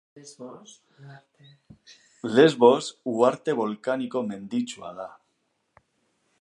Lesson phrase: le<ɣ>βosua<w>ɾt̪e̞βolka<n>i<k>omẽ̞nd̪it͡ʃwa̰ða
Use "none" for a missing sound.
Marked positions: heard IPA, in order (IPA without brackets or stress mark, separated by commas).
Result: z, none, n, k